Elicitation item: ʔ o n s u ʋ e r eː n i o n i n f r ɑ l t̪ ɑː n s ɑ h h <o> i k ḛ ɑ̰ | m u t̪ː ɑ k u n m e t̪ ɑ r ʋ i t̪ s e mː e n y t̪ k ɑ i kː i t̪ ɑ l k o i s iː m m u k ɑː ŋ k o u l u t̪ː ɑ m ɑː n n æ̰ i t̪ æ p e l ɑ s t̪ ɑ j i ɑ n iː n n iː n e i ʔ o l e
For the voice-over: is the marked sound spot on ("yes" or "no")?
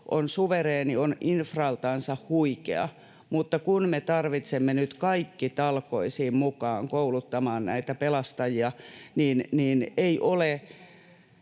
no